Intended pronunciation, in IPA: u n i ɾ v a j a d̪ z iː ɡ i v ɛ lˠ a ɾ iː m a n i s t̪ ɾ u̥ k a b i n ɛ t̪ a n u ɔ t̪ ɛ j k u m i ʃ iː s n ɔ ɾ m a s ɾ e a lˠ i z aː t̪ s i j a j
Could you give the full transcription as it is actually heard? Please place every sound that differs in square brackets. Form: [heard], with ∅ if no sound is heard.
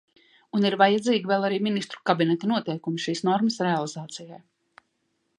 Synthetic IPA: u n i ɾ v a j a d̪ z iː ɡ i v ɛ lˠ a ɾ iː m [i] n i s t̪ ɾ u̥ k a b i n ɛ t̪ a n u ɔ t̪ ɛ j k u m i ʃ iː s n ɔ ɾ m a s ɾ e a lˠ i z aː t̪ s i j a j